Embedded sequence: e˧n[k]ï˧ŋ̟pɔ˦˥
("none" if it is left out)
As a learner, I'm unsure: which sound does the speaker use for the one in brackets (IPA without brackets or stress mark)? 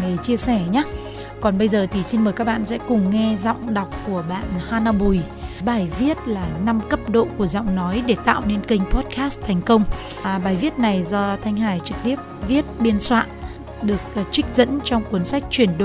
k